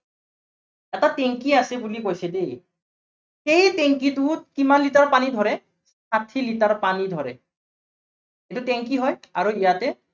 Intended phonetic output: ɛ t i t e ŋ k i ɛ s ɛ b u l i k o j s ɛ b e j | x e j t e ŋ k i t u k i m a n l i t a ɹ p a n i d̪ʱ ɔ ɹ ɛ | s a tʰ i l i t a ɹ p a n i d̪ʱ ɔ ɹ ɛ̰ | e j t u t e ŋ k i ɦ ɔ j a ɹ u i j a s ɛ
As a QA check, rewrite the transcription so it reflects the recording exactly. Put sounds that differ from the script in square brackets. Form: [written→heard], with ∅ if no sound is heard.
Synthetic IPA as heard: ɛ t [i→a] t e ŋ k i [ɛ→a] s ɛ b u l i k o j s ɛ [b→d] e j | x e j t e ŋ k i t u k i m a n l i t a ɹ p a n i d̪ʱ ɔ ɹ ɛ | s a tʰ i l i t a ɹ p a n i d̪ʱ ɔ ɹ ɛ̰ | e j t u t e ŋ k i ɦ ɔ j a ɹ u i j a [s→t] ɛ

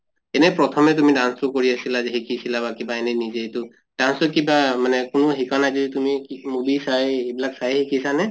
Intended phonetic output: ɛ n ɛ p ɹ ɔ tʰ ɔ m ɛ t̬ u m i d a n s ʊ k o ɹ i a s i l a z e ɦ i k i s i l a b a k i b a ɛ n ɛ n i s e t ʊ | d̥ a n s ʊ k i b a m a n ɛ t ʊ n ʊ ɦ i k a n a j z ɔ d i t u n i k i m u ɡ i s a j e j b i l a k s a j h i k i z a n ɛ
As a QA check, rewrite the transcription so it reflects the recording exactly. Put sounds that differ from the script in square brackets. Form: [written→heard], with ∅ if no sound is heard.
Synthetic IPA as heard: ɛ n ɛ p ɹ ɔ tʰ ɔ m ɛ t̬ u m i d a n s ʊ k o ɹ i a s i l a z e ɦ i k i s i l a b a k i b a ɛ n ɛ n i [s→z] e t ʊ | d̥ a n s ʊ k i b a m a n ɛ [t→k] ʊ n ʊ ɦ i k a n a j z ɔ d i t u [n→m] i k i m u [ɡ→b] i s a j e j b i l a k s a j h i k i [z→s] a n ɛ

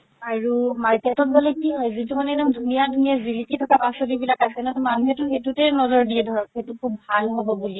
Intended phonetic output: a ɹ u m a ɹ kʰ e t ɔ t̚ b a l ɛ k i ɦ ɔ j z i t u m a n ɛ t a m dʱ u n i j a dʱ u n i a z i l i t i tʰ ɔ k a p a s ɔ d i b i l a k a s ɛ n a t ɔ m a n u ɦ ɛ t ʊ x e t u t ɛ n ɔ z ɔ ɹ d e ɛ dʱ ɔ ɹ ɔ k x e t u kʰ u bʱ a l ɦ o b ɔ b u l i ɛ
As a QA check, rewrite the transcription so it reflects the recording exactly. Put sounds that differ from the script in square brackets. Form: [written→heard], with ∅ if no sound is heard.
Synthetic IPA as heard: a ɹ u m a ɹ [kʰ→k] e t ɔ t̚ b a l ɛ k i ɦ ɔ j z i t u m a n ɛ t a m dʱ u n i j a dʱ u n i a z i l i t i tʰ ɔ k a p a s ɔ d i b i l a k a s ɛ n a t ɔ m a n u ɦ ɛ t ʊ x e t u t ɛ n ɔ z ɔ ɹ d [e→i] ɛ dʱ ɔ ɹ ɔ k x e t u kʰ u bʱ a l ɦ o b ɔ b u l i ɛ

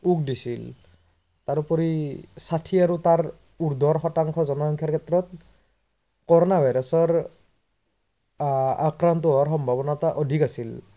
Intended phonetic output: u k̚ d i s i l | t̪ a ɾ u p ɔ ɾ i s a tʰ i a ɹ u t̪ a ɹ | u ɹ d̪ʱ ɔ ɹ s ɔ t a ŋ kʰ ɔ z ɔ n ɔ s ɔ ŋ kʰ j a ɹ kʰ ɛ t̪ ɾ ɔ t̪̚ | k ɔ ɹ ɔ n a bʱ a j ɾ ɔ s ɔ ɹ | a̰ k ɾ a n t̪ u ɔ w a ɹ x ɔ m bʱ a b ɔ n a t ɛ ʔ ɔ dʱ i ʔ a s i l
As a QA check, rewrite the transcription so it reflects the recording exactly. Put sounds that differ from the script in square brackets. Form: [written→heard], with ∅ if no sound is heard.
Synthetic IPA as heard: u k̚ d i s i l | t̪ a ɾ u p ɔ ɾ i s a tʰ i a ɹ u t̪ a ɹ | u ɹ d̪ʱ ɔ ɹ [s→x] ɔ t a ŋ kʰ ɔ z ɔ n ɔ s ɔ ŋ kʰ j a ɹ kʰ ɛ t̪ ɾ ɔ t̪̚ | k ɔ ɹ ɔ n a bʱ a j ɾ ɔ s ɔ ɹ | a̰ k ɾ a n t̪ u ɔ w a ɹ x ɔ m bʱ a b ɔ n a t [ɛ→a] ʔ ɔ dʱ i [ʔ→k] a s i l

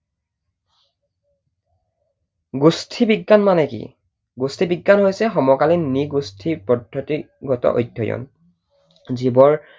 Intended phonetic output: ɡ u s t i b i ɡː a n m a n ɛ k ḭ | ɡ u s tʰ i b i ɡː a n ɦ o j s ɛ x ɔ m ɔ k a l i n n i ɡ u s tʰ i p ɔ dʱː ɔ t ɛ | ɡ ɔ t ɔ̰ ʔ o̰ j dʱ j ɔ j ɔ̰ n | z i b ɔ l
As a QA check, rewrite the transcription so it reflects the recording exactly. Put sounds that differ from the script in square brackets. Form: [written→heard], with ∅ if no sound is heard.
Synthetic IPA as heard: ɡ u s [t→tʰ] i b i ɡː a n m a n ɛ k ḭ | ɡ u s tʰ i b i ɡː a n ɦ o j s ɛ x ɔ m ɔ k a l i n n i ɡ u s tʰ i p ɔ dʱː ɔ t [ɛ→i] | ɡ ɔ t ɔ̰ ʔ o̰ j dʱ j ɔ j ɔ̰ n | z i b ɔ [l→ɹ]

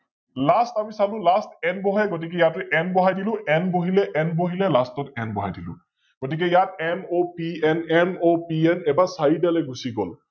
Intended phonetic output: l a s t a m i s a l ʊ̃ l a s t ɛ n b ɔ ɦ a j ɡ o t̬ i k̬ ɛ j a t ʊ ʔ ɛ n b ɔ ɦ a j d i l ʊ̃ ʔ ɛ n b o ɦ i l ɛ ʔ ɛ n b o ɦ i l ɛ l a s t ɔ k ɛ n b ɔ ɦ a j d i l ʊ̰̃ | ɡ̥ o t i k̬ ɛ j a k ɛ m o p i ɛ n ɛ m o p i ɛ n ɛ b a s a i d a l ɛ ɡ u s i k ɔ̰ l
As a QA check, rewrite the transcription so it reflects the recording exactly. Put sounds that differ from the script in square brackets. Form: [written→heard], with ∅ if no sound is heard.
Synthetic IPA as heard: l a s t a m i s a l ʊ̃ l a s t ɛ n b ɔ ɦ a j ɡ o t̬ i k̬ ɛ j a t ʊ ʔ ɛ n b ɔ ɦ a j d i l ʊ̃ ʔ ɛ n b o ɦ i l ɛ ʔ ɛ n b o ɦ i l ɛ l a s t ɔ [k→t] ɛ n b ɔ ɦ a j d i l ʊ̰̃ | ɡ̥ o t i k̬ ɛ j a [k→t] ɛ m o p i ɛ n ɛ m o p i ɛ n ɛ b a s a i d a l ɛ ɡ u s i [k→ɡ] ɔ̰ l

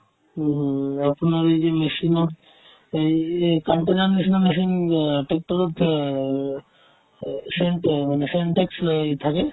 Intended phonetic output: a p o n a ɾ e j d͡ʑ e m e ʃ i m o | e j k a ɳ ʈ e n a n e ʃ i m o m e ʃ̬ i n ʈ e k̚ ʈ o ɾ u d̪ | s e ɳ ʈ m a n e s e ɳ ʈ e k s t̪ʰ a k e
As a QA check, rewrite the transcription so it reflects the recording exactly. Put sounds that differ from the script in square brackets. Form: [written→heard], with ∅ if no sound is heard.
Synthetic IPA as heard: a p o n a ɾ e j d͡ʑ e m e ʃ i [m→n] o | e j k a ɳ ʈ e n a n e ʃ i [m→n] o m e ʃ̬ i n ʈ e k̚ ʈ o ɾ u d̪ | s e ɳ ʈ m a n e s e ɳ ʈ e k s t̪ʰ a k e

